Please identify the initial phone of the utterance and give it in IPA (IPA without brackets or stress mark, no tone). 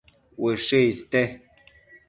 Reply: w